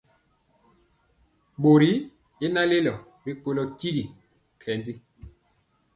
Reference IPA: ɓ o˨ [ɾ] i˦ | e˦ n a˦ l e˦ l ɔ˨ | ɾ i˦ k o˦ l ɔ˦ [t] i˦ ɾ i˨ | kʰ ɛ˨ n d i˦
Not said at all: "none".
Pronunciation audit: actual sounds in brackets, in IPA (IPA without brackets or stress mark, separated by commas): ɾ, k